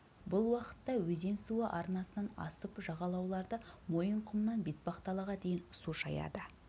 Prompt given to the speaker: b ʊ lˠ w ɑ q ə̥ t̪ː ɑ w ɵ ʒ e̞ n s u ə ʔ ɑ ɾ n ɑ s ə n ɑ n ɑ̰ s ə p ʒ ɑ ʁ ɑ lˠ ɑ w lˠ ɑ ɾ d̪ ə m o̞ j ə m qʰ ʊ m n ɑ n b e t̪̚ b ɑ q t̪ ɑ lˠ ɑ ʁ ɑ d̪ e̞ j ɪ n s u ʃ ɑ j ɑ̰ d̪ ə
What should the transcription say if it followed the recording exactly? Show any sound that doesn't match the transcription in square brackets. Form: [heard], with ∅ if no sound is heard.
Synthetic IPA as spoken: b ʊ lˠ w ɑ q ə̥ t̪ː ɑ w ɵ [z] e̞ n s u ə ʔ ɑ ɾ n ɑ s ə n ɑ n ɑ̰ s ə p ʒ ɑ ʁ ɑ lˠ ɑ w lˠ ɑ ɾ d̪ ə m o̞ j ə [ɴ] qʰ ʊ m n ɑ n b e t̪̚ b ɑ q t̪ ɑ lˠ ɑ ʁ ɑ d̪ e̞ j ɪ n s u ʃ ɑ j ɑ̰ d̪ ə